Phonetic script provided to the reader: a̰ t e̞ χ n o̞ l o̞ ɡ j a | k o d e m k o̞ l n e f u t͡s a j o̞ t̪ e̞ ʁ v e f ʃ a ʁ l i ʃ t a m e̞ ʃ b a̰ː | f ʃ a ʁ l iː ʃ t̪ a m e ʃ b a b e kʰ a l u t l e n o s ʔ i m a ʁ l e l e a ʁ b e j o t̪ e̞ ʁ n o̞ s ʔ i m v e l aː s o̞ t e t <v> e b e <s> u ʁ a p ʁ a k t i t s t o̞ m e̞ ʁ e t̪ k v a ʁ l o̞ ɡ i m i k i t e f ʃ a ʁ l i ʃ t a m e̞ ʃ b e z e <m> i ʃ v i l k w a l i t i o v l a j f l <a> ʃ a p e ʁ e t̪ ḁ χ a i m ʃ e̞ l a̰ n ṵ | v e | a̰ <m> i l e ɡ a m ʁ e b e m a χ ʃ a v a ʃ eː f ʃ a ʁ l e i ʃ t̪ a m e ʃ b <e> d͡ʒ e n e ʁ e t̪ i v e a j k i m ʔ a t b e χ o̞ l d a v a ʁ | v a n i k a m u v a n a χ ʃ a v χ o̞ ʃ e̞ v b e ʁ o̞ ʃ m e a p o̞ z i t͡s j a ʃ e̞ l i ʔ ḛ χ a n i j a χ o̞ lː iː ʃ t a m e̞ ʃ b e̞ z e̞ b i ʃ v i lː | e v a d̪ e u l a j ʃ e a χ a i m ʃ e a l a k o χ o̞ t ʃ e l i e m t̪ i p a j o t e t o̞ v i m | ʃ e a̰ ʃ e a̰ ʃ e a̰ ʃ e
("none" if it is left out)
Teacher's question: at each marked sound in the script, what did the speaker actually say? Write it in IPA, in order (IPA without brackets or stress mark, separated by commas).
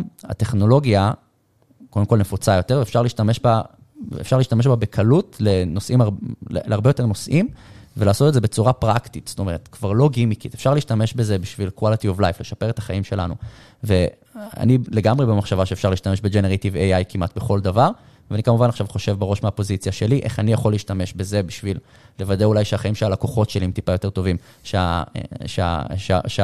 z, t͡s, b, e, n, e